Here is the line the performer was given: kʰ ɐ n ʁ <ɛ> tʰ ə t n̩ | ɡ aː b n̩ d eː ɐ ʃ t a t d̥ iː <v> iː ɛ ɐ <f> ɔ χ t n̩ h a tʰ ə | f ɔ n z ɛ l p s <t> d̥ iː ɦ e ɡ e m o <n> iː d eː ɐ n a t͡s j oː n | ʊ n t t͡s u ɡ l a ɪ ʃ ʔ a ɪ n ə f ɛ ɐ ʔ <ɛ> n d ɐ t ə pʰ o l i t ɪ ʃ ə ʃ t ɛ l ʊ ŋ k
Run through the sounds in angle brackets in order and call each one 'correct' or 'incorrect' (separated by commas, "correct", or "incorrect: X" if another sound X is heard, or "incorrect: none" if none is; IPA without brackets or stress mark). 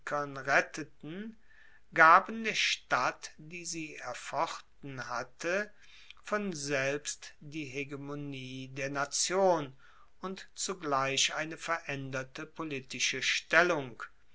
correct, incorrect: z, correct, correct, correct, correct